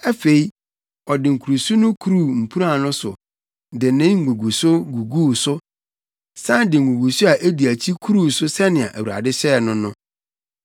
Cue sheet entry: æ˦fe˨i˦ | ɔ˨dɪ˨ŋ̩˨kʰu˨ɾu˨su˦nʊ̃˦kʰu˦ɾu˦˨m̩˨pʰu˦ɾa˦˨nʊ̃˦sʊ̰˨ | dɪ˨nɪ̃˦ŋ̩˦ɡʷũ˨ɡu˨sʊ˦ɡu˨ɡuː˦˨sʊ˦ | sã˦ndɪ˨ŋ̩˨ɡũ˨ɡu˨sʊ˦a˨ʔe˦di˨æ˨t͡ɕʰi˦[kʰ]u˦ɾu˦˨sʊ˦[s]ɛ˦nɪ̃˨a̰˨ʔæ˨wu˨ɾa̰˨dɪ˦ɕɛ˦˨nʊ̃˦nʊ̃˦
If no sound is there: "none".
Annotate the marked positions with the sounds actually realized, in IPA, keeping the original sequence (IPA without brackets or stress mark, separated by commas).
kʰ, s